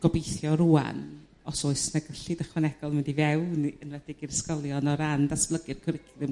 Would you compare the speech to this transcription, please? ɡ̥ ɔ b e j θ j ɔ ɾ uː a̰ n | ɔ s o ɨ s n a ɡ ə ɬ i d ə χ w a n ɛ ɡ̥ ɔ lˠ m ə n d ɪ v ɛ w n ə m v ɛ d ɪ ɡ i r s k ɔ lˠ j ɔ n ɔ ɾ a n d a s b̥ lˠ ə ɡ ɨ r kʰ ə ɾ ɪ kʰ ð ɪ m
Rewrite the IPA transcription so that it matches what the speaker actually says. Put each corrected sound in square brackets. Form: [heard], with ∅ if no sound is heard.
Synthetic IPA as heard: ɡ̥ ɔ b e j θ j ɔ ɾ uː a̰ n | ɔ s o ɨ s n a ɡ ə ɬ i d ə χ w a n ɛ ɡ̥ ɔ lˠ m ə n d [i] v ɛ w n ə [n] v ɛ d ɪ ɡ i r s k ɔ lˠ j ɔ n ɔ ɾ a n d a s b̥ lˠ ə ɡ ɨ r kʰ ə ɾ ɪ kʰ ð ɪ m